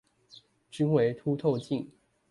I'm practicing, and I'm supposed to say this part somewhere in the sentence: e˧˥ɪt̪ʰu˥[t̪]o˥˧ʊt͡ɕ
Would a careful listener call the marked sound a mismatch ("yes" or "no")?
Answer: yes